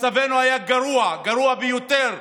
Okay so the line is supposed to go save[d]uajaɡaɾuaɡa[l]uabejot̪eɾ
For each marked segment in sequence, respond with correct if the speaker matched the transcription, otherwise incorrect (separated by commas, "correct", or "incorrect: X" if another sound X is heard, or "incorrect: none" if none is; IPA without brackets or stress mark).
incorrect: n, incorrect: ɾ